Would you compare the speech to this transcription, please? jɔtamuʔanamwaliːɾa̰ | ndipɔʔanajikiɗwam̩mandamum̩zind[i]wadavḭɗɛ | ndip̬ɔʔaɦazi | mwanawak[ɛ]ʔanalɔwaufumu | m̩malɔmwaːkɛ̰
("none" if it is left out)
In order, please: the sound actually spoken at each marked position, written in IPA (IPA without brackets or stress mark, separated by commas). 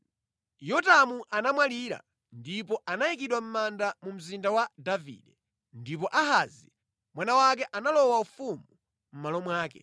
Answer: a, ɛ